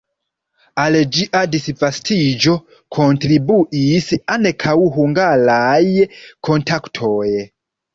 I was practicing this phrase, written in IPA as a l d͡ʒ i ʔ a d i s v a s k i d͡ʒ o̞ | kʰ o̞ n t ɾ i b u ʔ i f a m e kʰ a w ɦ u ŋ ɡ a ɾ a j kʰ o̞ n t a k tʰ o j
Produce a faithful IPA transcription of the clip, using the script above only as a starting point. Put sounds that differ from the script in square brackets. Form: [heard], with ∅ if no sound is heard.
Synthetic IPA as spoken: a l d͡ʒ i ʔ a d i s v a s [t] i d͡ʒ o̞ | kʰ o̞ n t ɾ i b u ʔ i [s] a [n] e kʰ a w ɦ u ŋ ɡ a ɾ a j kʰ o̞ n t a k tʰ o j